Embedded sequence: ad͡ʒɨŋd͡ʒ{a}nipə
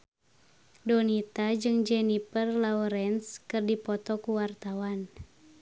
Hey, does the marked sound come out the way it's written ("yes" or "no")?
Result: no